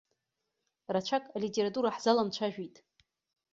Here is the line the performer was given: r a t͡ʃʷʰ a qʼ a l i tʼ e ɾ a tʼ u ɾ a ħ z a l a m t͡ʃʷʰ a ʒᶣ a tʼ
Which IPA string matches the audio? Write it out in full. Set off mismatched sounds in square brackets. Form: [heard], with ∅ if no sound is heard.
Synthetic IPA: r a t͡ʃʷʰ a [kʼ] a l i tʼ e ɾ a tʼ u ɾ a ħ z a l a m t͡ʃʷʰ a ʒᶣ [i] tʼ